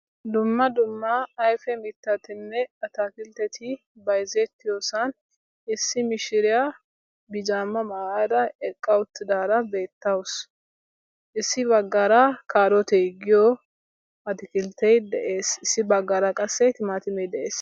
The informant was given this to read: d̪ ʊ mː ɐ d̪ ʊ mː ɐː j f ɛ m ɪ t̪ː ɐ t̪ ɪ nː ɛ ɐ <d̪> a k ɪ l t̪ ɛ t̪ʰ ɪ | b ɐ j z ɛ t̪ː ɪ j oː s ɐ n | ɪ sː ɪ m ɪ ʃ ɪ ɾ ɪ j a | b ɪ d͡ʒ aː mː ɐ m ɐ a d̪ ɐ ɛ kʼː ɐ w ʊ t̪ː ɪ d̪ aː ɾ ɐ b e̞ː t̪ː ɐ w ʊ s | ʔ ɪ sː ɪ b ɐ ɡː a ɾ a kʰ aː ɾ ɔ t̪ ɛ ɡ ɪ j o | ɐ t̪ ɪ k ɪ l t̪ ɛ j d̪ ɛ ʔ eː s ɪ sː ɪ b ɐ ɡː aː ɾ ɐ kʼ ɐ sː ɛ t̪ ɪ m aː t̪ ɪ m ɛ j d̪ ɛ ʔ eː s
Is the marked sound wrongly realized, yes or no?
yes